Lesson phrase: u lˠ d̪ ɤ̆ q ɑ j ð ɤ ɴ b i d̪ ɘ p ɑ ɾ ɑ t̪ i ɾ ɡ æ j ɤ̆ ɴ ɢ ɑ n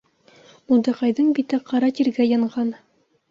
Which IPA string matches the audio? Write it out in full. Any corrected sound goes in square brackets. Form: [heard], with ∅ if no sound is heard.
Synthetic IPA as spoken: u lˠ d̪ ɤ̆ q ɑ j ð ɤ ɴ b i [t̪] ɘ [q] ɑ ɾ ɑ t̪ i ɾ ɡ æ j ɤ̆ ɴ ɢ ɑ n